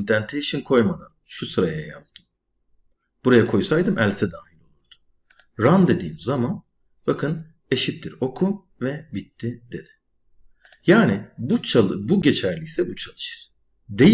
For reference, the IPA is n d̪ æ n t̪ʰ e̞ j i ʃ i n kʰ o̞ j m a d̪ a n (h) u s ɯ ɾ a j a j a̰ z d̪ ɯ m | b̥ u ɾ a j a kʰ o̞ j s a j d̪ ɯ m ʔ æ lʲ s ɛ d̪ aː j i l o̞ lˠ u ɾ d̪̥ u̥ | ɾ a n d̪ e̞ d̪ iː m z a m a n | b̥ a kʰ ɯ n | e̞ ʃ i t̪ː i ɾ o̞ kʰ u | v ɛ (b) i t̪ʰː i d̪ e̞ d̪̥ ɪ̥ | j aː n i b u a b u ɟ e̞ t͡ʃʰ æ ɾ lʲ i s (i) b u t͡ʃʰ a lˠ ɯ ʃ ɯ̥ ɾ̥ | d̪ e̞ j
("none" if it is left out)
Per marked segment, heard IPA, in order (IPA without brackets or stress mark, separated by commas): ʃ, b, ɛ